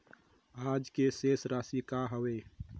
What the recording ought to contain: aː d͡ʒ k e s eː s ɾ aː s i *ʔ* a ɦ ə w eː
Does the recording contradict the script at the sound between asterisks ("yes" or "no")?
yes